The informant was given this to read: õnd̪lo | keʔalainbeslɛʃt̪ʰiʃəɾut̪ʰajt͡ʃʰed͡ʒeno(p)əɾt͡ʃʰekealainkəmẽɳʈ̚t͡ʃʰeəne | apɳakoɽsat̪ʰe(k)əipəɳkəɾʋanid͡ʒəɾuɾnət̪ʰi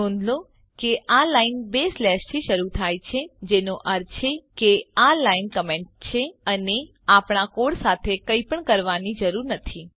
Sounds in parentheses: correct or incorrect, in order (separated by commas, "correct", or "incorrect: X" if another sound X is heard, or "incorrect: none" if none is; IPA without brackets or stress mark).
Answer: incorrect: ʔ, correct